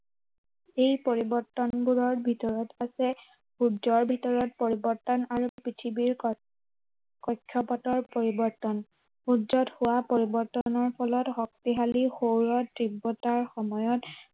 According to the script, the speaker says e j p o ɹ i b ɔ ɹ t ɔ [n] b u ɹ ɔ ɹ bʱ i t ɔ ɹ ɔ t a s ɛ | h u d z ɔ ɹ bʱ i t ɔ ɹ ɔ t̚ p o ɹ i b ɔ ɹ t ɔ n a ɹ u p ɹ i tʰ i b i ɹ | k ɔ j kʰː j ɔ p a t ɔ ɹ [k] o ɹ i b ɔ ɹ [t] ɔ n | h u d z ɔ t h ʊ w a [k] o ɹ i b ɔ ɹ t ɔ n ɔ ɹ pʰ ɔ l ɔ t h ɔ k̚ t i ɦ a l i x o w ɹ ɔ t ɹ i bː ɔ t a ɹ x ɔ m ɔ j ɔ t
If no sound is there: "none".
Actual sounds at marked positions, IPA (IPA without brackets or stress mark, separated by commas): n, p, t, p